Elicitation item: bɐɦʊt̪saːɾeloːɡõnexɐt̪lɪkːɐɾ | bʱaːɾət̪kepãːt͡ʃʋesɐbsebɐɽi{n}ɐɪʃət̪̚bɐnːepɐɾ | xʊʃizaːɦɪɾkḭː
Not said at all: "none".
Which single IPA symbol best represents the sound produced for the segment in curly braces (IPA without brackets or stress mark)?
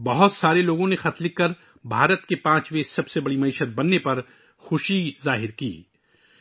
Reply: m